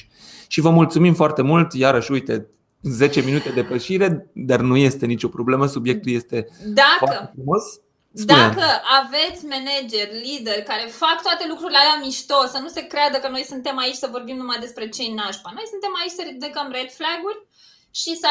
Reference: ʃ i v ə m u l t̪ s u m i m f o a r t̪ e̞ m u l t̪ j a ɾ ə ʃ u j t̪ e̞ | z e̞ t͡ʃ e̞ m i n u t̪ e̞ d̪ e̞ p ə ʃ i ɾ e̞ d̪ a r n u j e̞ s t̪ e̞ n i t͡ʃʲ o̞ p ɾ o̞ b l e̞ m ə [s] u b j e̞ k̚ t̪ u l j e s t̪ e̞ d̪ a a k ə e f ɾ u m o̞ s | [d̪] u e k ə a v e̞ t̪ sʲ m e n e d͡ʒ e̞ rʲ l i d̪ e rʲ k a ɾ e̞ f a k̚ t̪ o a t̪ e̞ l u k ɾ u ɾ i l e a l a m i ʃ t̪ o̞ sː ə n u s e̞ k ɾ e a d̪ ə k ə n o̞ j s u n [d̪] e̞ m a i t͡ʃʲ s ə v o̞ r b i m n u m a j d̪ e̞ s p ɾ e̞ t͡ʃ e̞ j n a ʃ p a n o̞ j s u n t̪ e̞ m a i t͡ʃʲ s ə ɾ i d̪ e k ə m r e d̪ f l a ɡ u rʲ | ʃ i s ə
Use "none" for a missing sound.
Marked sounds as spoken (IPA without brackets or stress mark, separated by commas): s, d̪, t̪